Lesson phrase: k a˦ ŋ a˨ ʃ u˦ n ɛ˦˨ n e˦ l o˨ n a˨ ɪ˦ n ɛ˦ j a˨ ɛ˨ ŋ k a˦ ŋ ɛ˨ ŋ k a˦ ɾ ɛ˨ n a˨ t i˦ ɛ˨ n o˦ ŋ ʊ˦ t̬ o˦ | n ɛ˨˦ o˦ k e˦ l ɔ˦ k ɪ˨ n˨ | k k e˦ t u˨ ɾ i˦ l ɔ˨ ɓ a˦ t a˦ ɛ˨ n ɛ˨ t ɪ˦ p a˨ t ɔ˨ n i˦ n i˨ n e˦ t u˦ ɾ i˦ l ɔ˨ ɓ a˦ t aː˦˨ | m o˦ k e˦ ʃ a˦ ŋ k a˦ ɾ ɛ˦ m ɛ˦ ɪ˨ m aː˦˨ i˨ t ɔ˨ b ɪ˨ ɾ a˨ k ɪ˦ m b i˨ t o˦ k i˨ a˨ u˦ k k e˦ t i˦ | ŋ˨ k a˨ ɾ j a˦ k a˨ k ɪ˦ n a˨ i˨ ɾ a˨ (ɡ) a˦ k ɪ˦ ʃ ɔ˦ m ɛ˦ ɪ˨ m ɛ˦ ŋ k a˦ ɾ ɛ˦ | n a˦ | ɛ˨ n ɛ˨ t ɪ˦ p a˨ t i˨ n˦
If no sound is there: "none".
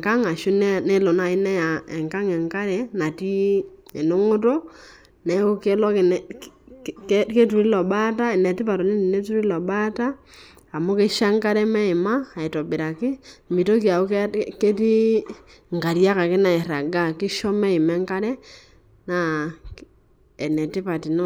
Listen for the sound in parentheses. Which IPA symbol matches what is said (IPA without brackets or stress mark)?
ɡ